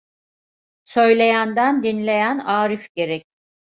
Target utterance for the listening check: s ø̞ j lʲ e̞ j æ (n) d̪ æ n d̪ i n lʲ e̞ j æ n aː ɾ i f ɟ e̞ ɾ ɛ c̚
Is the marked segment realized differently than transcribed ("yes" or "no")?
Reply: no